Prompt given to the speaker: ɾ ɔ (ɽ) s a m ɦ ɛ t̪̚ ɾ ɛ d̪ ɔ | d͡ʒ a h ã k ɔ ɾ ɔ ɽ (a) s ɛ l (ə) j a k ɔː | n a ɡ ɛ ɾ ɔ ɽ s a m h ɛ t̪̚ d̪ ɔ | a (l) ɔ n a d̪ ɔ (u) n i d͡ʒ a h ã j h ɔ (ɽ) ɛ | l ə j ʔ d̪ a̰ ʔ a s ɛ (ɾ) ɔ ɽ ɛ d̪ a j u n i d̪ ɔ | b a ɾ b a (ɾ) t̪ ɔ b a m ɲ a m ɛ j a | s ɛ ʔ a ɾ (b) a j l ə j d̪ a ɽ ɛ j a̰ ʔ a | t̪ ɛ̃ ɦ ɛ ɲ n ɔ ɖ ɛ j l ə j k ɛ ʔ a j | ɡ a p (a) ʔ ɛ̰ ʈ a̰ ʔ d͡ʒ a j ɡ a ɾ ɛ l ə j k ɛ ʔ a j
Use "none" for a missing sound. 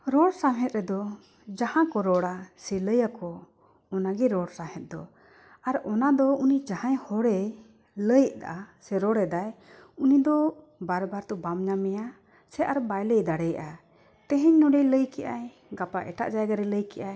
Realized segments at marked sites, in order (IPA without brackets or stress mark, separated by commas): ɽ, a, ə, ɾ, u, ɽ, ɾ, ɾ, b, a